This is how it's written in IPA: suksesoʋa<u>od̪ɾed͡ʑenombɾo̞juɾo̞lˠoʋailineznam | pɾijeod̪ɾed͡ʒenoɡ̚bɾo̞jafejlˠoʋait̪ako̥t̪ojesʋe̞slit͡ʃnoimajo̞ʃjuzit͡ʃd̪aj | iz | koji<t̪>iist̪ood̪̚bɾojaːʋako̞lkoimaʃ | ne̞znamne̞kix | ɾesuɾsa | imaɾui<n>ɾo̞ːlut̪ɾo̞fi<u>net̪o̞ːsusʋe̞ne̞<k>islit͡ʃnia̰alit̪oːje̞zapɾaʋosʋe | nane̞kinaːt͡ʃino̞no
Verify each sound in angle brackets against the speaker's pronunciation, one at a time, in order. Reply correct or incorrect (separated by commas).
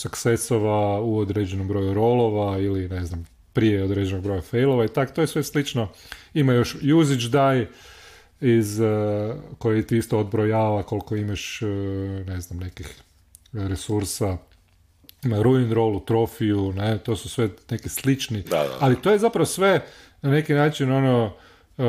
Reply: correct, correct, correct, correct, correct